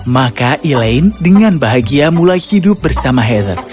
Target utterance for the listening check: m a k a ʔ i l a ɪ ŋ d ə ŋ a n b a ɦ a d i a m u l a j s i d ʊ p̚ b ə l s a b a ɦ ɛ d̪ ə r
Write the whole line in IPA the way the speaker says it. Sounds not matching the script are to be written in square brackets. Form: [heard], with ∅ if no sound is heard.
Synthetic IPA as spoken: m a k a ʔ i l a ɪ [n] d ə ŋ a n b a ɦ a [ɡ] i a m u l a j [h] i d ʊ p̚ b ə [r] s a [m] a ɦ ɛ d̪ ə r

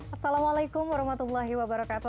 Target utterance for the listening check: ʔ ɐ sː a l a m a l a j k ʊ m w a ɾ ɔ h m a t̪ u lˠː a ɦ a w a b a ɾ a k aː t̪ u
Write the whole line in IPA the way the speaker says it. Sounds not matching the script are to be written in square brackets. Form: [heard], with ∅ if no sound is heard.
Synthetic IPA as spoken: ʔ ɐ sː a l a m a l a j k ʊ m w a ɾ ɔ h m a t̪ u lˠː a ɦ [i] w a b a ɾ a k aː t̪ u

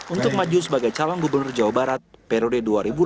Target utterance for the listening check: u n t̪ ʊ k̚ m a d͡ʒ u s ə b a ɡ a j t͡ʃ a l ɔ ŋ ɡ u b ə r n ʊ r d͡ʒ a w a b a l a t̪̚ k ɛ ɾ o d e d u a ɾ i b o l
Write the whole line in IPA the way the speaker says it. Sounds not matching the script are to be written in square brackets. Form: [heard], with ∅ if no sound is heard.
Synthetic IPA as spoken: u n t̪ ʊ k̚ m a d͡ʒ u s ə b a ɡ a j t͡ʃ a l ɔ ŋ ɡ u b ə r n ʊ r d͡ʒ a w a b a [ɾ] a t̪̚ [p] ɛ ɾ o d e d u a ɾ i b [u] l

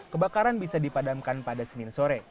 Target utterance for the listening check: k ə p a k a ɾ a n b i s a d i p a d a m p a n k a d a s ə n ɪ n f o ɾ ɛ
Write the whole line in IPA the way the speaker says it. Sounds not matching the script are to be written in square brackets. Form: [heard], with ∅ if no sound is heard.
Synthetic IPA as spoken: k ə [b] a k a ɾ a n b i s a d i p a d a m [k] a n [p] a d a s ə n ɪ n [s] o ɾ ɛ

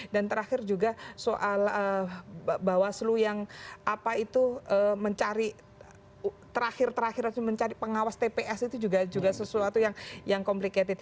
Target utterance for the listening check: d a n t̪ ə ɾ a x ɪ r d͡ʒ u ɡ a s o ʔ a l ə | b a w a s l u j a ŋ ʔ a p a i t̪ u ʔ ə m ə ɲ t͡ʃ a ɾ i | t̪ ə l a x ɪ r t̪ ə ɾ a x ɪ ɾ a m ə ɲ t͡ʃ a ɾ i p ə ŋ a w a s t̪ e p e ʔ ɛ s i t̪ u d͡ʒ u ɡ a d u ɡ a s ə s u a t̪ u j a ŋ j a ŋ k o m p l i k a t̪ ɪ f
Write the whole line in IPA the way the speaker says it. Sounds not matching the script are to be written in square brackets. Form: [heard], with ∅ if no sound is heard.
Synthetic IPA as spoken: d a n t̪ ə ɾ a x ɪ r d͡ʒ u ɡ a s o ʔ a l ə | b a w a s l u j a ŋ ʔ a p a i t̪ u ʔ ə m ə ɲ t͡ʃ a ɾ i | t̪ ə [ɾ] a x ɪ r t̪ ə ɾ a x ɪ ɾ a m ə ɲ t͡ʃ a ɾ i p ə ŋ a w a s t̪ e p e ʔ ɛ s i t̪ u d͡ʒ u ɡ a [d͡ʒ] u ɡ a s ə s u a t̪ u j a ŋ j a ŋ k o m p l i k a t̪ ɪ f

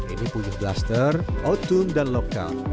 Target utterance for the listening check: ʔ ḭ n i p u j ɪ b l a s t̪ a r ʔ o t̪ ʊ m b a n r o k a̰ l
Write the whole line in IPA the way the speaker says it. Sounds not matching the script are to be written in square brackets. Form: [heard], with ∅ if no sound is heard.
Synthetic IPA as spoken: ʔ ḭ n i p u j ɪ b l a s t̪ [ə] r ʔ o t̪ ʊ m [d] a n [l] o k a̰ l

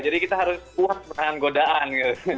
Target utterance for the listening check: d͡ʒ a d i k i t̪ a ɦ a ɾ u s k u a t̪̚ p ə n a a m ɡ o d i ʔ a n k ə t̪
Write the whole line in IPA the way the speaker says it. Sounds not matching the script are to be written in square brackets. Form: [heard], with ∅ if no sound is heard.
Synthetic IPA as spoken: d͡ʒ a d i k i t̪ a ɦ a ɾ [ʊ] s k u a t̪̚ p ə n a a [n] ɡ o d [a] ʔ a n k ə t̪

